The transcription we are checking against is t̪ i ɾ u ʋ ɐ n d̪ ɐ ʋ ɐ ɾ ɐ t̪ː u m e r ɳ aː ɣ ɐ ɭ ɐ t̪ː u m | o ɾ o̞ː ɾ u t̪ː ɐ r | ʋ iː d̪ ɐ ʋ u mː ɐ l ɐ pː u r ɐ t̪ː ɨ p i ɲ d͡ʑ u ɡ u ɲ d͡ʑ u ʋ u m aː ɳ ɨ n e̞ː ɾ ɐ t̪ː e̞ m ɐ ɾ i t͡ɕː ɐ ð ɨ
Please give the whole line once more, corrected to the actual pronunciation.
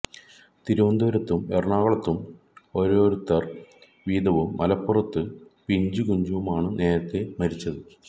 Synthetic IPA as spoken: t̪ i ɾ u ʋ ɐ n d̪ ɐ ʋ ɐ ɾ ɐ t̪ː u m e r ɳ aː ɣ ɐ ɭ ɐ t̪ː u m | o ɾ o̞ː ɾ u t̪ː ɐ r | ʋ iː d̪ ɐ ʋ u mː ɐ l ɐ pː u r ɐ t̪ː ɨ p i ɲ d͡ʑ u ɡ u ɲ d͡ʑ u ʋ u m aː ɳ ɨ n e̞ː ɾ ɐ t̪ː e̞ m ɐ ɾ i t͡ɕː ɐ ð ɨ